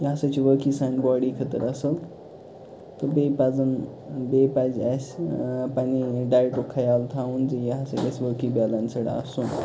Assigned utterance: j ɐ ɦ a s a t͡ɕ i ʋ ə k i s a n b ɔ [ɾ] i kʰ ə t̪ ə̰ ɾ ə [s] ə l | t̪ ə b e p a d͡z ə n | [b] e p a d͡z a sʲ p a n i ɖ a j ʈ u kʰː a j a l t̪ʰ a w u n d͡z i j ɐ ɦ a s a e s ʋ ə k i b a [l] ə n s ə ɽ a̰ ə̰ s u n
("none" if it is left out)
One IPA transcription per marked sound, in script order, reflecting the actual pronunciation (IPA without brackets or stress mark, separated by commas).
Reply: ɽ, s, b, l